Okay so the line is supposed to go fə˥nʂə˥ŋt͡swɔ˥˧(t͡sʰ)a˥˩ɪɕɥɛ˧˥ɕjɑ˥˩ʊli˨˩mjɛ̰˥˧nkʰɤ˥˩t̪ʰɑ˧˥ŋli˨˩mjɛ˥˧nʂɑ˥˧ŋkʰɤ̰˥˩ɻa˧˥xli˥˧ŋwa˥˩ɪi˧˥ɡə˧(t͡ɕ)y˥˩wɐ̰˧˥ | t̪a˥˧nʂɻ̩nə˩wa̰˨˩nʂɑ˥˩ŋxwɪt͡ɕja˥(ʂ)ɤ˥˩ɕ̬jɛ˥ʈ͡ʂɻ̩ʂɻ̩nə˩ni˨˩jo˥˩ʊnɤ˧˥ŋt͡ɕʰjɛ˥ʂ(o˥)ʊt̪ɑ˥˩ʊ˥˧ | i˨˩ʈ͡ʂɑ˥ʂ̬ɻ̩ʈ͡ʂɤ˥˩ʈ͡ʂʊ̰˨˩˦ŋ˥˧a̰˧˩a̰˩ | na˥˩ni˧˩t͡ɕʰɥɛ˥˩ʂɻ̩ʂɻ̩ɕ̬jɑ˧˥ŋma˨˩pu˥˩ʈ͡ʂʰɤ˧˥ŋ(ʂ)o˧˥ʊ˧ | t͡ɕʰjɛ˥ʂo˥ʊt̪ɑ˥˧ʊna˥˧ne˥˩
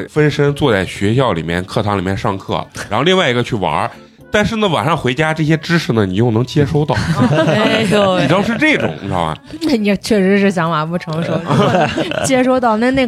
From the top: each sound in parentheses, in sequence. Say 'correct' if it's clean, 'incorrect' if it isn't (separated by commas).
incorrect, incorrect, incorrect, correct, correct